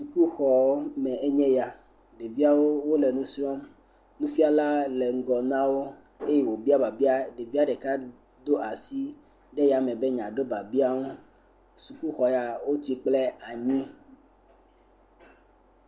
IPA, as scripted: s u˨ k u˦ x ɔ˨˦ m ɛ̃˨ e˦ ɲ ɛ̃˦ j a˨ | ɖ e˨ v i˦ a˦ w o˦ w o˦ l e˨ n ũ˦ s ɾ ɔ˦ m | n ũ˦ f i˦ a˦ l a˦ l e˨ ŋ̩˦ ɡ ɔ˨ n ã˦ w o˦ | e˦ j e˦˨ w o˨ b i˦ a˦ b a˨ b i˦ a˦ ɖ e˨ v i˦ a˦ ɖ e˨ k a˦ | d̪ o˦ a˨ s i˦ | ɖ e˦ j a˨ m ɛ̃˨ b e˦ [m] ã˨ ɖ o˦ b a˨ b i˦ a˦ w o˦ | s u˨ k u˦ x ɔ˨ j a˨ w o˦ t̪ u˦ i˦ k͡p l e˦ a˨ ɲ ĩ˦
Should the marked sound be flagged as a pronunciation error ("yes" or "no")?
yes